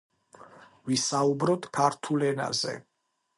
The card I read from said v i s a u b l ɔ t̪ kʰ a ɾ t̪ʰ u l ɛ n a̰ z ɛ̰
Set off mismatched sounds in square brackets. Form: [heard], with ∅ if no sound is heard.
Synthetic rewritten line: v i s a u b [ɾ] ɔ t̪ kʰ a ɾ t̪ʰ u l ɛ n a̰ z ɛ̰